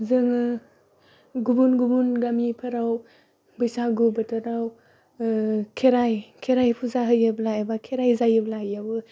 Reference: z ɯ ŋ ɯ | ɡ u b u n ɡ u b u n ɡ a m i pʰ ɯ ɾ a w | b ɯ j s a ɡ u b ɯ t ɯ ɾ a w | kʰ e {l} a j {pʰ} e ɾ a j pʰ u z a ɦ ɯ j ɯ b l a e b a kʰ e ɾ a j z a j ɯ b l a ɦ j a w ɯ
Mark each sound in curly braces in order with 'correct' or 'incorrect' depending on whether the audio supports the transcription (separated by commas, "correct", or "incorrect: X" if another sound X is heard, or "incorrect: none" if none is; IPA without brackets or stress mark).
incorrect: ɾ, incorrect: kʰ